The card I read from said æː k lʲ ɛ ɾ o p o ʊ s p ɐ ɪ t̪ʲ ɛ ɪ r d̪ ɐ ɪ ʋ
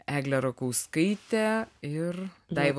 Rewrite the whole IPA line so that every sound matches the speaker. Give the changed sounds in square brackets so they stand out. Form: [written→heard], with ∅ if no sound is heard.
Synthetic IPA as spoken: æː [k→ɡ] lʲ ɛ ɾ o [p→k] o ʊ s [p→k] ɐ ɪ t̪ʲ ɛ ɪ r d̪ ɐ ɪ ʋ